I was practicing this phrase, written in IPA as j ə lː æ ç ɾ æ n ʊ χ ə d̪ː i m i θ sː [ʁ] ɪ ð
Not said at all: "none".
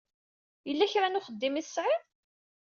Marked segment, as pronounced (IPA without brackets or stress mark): ʕ